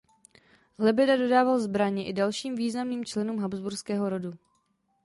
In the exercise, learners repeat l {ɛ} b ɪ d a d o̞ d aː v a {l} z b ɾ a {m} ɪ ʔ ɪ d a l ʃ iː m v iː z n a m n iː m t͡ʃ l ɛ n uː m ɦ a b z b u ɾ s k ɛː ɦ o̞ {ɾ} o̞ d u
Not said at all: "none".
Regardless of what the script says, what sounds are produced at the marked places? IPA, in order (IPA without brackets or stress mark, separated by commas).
ɛ, l, ɲ, ɾ